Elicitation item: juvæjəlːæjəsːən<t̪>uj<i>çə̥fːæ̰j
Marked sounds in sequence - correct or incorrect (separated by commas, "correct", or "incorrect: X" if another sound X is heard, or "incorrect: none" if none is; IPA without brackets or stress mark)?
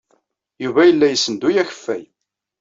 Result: incorrect: d̪, incorrect: æ